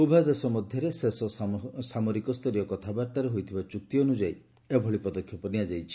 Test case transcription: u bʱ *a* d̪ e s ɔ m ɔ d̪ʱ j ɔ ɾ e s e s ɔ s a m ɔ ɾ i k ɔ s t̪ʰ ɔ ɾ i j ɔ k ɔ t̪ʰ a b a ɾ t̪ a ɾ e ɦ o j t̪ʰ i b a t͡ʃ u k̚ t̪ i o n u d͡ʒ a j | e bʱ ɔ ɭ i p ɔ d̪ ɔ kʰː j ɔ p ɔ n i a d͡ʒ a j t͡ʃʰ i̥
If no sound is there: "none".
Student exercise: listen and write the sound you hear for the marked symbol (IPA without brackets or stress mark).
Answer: a